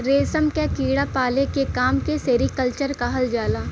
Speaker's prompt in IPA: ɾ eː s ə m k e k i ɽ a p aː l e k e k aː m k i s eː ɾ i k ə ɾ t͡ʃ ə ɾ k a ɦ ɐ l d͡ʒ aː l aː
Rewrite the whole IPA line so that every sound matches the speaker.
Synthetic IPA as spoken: ɾ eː s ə m k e k iː ɽ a p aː l e k e k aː m k e s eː ɾ i k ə l t͡ʃ ə ɾ k a ɦ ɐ l d͡ʒ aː l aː